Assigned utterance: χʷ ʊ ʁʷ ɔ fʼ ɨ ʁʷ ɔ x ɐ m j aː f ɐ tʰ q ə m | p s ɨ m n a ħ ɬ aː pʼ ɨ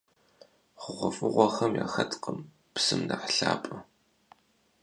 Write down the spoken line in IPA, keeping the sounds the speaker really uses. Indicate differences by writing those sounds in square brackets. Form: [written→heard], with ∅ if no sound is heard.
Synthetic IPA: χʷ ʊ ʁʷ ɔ fʼ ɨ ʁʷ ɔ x ɐ m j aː [f→x] ɐ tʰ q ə m | p s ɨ m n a ħ ɬ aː pʼ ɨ